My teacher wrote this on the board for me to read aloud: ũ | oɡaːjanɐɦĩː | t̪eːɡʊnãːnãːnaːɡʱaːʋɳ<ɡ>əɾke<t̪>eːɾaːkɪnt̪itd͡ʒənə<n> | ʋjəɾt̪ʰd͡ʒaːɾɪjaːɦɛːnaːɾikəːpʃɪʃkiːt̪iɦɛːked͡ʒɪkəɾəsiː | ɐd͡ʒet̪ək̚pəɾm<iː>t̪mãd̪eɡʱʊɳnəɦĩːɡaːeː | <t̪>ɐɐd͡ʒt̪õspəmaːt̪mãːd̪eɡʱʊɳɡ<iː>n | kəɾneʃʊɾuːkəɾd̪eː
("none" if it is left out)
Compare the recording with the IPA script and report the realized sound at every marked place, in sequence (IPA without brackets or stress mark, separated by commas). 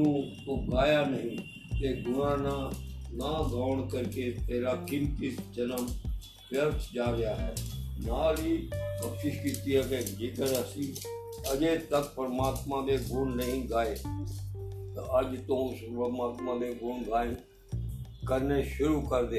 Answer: k, t̪, m, aː, t̪, aː